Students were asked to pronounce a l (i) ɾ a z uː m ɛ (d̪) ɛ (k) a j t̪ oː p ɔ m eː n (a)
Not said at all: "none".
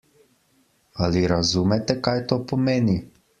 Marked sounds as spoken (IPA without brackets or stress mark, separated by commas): i, t̪, k, i